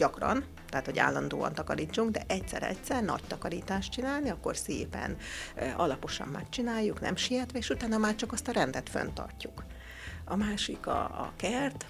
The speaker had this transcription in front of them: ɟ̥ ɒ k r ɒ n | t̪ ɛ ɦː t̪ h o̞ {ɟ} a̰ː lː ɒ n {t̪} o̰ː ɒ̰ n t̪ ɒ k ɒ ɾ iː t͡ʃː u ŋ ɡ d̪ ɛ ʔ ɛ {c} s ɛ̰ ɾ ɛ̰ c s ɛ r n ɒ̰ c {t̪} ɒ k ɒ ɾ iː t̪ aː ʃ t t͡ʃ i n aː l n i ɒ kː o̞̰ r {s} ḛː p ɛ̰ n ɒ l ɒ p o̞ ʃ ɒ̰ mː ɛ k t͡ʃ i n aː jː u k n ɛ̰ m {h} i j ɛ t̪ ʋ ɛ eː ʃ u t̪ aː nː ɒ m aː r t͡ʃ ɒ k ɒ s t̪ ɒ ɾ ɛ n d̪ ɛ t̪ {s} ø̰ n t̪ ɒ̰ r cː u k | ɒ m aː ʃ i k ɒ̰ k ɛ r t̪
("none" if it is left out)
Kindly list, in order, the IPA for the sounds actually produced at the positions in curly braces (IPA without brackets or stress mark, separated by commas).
ɟ, d̪, c, t̪, s, ʃ, f